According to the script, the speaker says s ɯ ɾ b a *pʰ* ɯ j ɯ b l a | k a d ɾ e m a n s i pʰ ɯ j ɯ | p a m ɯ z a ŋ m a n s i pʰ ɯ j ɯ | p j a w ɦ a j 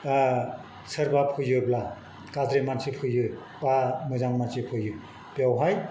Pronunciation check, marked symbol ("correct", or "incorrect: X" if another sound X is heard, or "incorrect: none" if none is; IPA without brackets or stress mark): correct